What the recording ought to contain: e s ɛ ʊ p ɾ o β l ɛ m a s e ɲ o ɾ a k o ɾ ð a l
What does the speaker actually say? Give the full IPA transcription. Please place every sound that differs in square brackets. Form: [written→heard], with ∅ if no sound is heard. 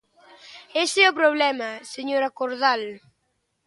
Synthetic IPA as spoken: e s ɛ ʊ p ɾ o β l ɛ m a s e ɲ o ɾ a k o ɾ ð a l